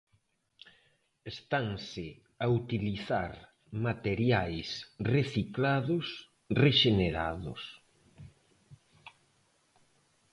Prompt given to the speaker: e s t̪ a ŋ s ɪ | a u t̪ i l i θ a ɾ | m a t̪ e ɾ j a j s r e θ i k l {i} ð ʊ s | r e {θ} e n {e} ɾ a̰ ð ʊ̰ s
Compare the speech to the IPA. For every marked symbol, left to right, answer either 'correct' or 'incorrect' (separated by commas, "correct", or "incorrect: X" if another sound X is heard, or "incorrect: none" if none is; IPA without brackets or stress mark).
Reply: incorrect: a, incorrect: ʃ, correct